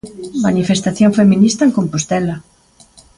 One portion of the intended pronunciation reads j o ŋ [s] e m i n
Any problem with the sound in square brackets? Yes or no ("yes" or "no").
yes